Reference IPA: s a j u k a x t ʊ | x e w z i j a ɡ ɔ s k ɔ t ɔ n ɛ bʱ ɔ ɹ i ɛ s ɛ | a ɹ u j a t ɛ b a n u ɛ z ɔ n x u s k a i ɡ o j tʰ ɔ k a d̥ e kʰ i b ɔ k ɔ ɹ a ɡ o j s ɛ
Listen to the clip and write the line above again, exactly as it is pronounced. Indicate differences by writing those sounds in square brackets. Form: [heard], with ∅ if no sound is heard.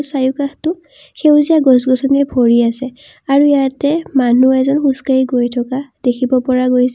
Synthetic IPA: s a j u k a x t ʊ | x e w z i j a ɡ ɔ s [ɡ] ɔ [s] ɔ n ɛ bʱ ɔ ɹ i [a] s ɛ | a ɹ u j a t ɛ [m] a n u ɛ z ɔ n x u s k a i ɡ o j tʰ ɔ k a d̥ e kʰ i b ɔ [p] ɔ ɹ a ɡ o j s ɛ